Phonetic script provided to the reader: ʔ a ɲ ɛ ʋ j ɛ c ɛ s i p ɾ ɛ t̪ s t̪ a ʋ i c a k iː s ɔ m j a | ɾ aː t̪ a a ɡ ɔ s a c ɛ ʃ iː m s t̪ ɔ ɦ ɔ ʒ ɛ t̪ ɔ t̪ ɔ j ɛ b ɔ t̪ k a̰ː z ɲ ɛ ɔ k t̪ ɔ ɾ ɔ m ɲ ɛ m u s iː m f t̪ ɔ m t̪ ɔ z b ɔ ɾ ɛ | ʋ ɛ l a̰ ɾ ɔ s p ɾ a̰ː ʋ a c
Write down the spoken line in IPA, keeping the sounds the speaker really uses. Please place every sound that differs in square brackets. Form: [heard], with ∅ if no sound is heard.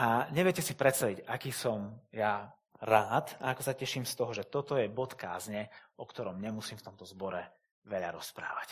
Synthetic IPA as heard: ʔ a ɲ ɛ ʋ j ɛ c ɛ s i p ɾ ɛ t̪ s t̪ a ʋ i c a k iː s ɔ m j a | ɾ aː t̪ a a [k] ɔ s a c ɛ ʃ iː m s t̪ ɔ ɦ ɔ ʒ ɛ t̪ ɔ t̪ ɔ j ɛ b ɔ t̪ k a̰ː z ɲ ɛ ɔ k t̪ ɔ ɾ ɔ m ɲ ɛ m u s iː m f t̪ ɔ m t̪ ɔ z b ɔ ɾ ɛ | ʋ ɛ [ʎ] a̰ ɾ ɔ s p ɾ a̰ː ʋ a c